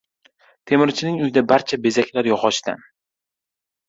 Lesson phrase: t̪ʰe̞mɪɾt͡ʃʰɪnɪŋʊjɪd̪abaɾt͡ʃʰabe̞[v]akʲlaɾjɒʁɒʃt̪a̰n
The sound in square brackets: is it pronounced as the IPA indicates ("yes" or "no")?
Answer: no